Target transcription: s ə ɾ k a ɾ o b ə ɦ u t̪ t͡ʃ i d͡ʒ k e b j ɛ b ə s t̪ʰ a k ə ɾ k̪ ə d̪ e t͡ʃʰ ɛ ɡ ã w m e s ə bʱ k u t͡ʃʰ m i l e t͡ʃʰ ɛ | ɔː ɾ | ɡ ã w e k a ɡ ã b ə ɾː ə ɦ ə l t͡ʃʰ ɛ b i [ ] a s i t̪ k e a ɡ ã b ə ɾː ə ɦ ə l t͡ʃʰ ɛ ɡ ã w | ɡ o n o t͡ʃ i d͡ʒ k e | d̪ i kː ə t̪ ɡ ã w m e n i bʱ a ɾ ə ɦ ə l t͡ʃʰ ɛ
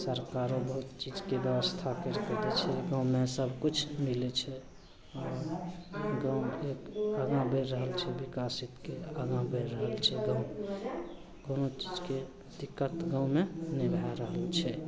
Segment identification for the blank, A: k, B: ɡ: A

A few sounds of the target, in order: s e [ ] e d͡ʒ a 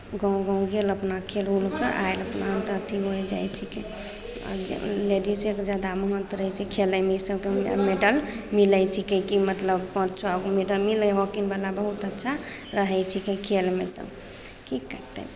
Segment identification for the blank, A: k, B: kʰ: A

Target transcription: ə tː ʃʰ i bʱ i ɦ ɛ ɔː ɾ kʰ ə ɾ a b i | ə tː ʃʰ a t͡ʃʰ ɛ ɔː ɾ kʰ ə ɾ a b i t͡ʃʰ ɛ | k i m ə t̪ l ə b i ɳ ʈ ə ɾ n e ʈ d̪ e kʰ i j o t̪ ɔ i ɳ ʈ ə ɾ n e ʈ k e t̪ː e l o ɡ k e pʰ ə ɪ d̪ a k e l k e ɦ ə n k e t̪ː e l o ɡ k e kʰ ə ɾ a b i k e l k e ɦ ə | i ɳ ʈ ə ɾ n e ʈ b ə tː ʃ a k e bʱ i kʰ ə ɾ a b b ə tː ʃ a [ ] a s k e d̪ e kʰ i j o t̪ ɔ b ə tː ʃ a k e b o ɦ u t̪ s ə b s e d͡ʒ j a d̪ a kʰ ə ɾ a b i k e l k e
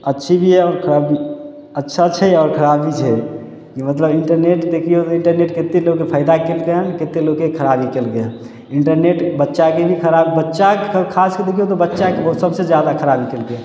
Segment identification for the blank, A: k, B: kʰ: B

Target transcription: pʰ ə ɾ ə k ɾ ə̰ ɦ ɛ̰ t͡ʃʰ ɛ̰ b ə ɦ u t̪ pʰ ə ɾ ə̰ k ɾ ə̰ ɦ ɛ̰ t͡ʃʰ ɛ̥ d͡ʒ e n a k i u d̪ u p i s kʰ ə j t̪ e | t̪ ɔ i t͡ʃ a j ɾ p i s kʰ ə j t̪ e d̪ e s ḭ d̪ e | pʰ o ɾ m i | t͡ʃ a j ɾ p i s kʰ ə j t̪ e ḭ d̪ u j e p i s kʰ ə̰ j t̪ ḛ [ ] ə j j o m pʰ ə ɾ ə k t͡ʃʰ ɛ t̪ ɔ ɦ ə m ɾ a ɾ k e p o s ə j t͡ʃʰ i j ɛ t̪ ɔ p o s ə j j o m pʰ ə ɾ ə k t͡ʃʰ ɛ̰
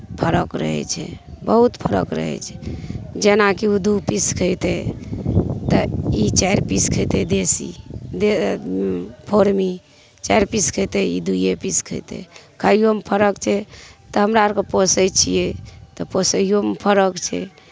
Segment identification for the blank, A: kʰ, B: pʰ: A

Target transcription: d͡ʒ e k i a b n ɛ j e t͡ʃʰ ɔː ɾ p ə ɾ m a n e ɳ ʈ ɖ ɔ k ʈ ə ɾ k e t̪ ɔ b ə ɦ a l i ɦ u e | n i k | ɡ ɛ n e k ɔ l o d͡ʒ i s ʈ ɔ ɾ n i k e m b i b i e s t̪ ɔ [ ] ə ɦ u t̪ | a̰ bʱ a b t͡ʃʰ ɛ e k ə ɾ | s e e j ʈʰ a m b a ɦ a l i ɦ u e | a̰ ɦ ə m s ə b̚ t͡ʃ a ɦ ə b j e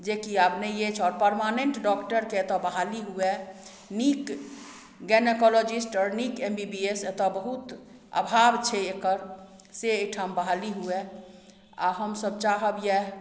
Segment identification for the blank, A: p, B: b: B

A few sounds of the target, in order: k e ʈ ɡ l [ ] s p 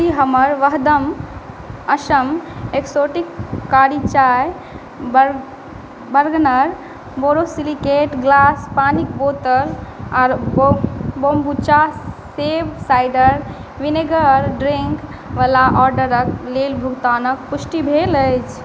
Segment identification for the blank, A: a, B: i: A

